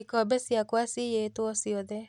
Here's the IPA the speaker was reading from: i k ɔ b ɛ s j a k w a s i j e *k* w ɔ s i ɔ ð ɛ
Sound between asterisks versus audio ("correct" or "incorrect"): incorrect